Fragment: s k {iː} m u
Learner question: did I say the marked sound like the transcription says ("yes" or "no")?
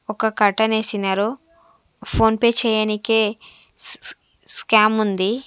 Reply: no